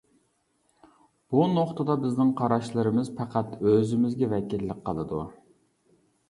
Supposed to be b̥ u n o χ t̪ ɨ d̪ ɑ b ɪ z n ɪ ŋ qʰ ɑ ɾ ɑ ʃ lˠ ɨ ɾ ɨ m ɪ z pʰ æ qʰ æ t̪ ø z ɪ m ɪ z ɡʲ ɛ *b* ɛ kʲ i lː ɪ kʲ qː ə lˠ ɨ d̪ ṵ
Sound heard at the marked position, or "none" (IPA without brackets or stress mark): v